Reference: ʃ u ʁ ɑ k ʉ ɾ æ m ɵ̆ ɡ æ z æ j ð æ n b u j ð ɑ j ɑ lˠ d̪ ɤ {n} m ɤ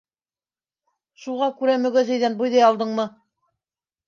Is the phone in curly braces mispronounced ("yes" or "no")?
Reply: yes